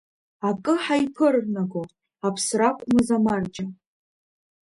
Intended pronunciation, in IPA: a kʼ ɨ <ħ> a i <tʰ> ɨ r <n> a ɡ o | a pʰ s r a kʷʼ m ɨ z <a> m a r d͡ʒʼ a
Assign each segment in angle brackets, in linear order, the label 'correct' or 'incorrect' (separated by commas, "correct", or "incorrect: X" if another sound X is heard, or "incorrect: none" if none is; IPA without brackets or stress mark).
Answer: correct, incorrect: pʰ, correct, correct